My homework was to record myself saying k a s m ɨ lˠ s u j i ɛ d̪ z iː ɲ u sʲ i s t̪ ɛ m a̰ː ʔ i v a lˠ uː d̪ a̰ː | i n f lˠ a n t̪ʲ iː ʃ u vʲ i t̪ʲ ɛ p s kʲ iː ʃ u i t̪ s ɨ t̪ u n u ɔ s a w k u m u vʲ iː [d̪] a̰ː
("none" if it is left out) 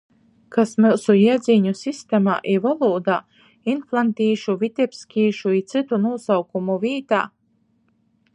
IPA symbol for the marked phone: t̪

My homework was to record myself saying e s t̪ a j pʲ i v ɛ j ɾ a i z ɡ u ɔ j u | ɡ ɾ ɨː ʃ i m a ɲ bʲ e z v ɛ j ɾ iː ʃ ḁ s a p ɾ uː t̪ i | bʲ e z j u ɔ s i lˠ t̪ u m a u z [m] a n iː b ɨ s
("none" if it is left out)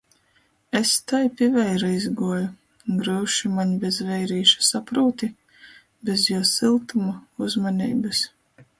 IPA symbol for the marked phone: m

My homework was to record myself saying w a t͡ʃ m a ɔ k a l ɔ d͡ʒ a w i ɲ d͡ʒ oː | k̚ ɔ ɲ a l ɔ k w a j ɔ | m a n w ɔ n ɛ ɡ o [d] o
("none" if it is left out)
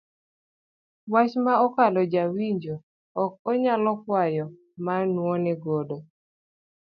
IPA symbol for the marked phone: d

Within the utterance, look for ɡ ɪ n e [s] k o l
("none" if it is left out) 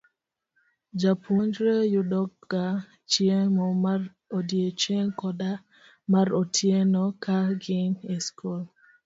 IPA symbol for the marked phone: s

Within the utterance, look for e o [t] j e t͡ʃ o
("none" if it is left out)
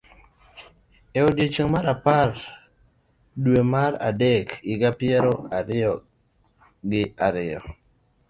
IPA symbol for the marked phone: d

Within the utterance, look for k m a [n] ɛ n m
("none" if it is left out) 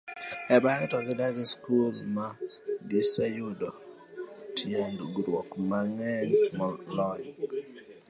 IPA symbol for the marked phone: ŋ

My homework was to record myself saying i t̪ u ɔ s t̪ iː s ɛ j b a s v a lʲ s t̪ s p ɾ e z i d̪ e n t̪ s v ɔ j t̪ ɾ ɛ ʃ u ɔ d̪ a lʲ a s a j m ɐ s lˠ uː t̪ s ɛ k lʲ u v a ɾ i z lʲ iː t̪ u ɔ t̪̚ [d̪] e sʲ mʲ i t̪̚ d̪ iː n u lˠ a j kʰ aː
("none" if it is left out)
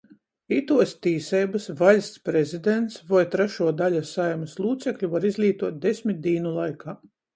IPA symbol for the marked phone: d̪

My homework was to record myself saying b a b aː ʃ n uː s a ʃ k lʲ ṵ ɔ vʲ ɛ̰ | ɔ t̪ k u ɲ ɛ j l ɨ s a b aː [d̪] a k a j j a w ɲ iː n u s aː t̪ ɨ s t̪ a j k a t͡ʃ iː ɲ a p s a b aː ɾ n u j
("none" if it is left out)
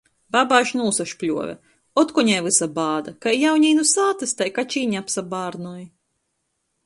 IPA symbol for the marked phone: d̪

